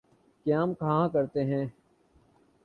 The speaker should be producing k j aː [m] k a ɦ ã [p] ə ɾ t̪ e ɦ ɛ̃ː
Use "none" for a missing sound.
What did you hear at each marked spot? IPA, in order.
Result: m, k

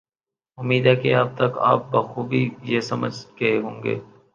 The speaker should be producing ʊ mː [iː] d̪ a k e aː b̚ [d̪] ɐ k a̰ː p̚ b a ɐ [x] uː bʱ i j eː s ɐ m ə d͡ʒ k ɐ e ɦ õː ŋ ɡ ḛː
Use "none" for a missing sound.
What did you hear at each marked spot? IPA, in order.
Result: iː, t̪, x

